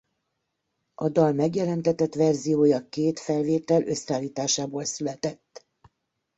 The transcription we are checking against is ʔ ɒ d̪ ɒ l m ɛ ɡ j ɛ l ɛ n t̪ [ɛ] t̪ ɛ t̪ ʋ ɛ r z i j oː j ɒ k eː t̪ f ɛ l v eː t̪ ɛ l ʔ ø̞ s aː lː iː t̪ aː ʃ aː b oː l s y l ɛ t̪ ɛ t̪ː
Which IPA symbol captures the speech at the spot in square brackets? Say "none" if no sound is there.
ɛ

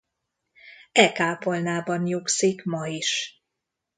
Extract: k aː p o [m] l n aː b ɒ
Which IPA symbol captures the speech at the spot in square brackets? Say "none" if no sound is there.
none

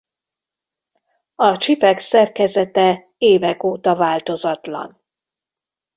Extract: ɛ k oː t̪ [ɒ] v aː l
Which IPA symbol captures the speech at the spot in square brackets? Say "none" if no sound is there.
ɒ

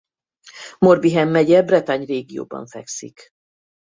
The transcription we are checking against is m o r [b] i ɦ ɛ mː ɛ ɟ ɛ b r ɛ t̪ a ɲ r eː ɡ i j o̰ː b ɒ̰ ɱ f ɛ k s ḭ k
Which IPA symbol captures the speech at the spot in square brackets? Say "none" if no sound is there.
b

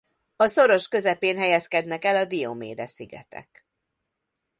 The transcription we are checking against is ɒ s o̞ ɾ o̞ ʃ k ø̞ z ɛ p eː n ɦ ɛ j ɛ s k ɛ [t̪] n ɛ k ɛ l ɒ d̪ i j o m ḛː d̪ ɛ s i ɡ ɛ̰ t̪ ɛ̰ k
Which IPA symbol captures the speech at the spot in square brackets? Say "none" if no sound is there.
d̪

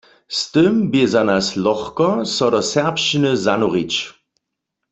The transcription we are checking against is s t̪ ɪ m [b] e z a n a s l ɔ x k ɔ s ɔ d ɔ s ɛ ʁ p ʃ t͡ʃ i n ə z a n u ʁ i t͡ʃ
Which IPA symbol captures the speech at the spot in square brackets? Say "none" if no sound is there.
b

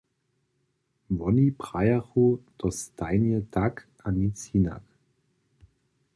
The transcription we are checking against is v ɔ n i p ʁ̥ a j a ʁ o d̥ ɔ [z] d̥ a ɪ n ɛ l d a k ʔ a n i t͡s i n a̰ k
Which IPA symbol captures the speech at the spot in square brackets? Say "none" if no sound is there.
s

